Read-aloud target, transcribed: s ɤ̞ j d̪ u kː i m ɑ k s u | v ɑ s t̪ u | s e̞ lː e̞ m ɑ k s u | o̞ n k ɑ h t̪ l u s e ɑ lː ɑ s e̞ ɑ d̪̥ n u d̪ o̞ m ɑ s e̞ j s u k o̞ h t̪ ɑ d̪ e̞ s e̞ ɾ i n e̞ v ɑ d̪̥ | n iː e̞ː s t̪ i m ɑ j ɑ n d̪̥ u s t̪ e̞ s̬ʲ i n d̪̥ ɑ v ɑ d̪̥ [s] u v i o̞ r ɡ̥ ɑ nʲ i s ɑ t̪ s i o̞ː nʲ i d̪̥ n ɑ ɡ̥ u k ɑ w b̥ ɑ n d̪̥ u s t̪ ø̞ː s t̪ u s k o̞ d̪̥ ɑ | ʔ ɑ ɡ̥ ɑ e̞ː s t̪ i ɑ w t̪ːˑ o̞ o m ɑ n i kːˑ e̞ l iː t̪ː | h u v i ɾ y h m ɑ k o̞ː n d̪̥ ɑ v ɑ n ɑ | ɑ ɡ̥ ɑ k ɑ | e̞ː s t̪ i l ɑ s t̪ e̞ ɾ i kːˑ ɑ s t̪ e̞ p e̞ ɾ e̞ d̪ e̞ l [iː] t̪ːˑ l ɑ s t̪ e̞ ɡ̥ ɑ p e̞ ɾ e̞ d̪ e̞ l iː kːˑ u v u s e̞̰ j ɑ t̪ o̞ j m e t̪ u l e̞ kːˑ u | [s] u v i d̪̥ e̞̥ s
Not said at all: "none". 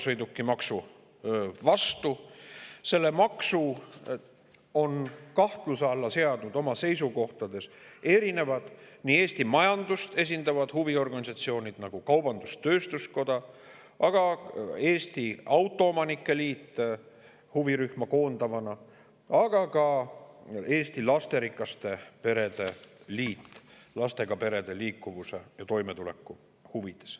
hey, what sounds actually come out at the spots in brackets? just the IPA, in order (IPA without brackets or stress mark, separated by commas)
h, iː, h